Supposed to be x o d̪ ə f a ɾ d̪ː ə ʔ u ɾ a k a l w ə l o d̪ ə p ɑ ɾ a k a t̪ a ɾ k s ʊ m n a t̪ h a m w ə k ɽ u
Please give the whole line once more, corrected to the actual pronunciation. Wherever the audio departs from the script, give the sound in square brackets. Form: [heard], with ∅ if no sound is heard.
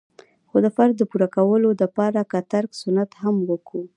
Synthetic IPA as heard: x o d̪ ə f a ɾ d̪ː ə [p] u ɾ a k a [∅] w ə l o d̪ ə p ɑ ɾ a k a t̪ a ɾ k s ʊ [∅] n a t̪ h a m w ə k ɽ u